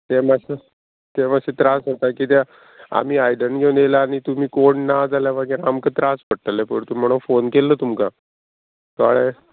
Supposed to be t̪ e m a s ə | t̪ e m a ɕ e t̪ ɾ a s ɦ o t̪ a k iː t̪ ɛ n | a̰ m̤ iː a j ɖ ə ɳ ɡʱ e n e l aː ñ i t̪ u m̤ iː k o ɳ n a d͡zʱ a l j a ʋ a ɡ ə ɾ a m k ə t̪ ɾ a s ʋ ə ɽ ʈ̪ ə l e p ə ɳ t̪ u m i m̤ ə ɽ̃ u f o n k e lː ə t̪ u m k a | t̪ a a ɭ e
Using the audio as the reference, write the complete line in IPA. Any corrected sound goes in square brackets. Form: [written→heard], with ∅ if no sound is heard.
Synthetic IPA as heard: t̪ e m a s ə | t̪ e m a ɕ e t̪ ɾ a s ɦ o t̪ a k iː t̪ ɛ [n→∅] | a̰ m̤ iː a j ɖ ə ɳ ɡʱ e n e l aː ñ i t̪ u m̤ iː k o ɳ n a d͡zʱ a l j a ʋ a ɡ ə ɾ a m k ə t̪ ɾ a s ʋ ə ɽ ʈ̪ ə l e p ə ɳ t̪ u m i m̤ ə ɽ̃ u f o n k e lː ə t̪ u m k a | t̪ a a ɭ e